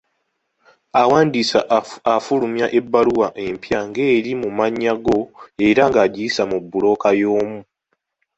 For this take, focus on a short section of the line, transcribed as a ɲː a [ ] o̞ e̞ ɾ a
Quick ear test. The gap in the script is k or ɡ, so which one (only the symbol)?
ɡ